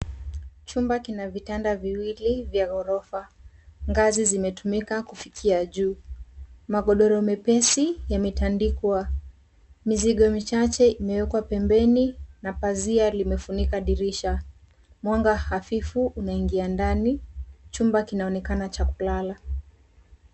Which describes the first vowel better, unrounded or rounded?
rounded